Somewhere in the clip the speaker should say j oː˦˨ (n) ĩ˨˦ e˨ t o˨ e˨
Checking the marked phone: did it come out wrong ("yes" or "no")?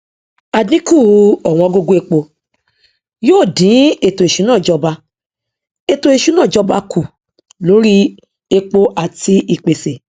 yes